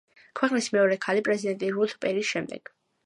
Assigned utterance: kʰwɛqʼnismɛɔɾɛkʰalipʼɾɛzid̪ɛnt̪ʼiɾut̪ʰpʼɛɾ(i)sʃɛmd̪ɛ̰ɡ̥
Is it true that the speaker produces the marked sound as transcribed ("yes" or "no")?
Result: yes